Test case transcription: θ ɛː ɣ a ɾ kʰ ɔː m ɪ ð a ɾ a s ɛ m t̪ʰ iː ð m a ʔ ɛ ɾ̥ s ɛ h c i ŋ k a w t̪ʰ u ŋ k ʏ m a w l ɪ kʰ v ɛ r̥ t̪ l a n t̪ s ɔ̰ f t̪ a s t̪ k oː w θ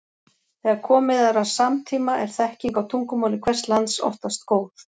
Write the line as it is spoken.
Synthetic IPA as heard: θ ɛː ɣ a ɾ kʰ ɔː m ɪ ð a ɾ a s a m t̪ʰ iː m a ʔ ɛ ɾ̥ θ ɛ h c i ŋ k a w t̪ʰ u ŋ k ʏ m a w l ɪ kʰ v ɛ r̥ t̪ l a n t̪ s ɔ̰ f t̪ a s t̪ k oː w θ